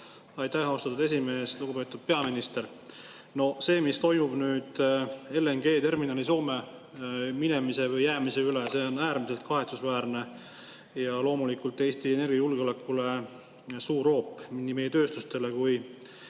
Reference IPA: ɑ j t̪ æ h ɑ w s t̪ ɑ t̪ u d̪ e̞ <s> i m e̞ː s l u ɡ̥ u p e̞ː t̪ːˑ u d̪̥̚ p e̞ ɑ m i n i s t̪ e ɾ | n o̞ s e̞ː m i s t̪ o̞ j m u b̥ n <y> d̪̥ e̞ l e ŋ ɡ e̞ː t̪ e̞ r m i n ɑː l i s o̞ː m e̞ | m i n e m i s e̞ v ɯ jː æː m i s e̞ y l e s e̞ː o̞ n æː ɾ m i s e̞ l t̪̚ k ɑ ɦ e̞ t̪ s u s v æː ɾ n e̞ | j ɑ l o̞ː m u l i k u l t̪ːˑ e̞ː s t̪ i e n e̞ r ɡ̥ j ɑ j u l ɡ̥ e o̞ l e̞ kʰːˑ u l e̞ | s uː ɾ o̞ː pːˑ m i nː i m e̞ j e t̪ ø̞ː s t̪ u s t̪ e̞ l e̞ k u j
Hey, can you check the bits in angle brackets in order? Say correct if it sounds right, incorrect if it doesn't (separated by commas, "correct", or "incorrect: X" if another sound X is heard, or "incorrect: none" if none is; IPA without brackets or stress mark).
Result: correct, incorrect: yː